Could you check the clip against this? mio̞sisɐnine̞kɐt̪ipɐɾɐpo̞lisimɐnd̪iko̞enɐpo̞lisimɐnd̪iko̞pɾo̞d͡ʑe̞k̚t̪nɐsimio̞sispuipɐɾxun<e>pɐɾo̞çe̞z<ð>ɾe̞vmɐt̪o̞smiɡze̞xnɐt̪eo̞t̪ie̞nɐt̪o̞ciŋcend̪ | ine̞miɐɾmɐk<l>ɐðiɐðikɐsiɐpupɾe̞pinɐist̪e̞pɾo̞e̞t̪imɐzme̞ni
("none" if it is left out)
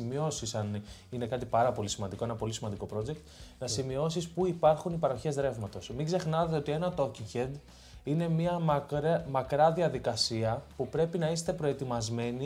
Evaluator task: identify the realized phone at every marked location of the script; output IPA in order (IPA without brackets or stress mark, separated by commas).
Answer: i, ð, ɾ